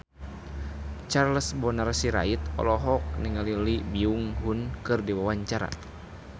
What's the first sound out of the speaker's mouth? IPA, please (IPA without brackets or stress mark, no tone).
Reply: t͡ʃ